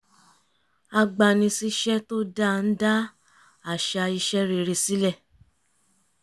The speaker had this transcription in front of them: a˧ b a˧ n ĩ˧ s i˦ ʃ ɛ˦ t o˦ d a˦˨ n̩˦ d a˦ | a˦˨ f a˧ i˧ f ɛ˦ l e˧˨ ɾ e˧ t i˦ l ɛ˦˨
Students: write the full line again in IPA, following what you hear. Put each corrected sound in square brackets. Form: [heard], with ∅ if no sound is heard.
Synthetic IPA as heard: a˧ [ɡ͡b] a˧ n ĩ˧ s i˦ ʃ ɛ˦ t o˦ d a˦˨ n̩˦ d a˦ | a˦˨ [ʃ] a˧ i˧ [ʃ] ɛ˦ [ɾ] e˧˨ ɾ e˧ [s] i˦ l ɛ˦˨